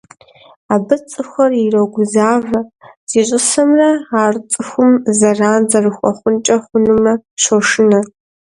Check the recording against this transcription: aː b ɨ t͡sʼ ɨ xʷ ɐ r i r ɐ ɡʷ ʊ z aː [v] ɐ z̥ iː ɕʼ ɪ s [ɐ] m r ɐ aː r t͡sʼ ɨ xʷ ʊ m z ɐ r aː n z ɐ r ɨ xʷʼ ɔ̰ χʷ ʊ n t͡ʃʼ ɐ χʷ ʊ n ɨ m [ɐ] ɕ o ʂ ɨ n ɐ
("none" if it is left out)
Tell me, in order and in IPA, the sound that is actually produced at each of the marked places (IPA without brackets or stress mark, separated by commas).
v, ɐ, ɐ